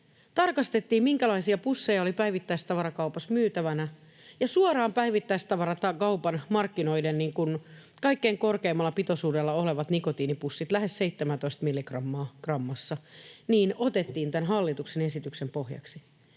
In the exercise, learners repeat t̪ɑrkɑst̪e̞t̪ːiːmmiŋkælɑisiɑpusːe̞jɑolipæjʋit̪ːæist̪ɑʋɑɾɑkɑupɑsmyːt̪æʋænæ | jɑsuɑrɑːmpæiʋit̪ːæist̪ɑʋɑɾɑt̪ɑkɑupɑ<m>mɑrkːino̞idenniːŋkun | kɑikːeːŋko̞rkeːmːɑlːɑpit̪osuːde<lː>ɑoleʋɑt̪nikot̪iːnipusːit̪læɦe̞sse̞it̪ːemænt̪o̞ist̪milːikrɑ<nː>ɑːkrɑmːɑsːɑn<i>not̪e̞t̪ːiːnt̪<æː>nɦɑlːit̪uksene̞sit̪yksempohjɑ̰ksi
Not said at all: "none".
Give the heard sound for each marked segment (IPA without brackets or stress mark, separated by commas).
n, lː, mː, iː, æ